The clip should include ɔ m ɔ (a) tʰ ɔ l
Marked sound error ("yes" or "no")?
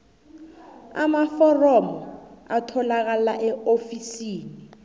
no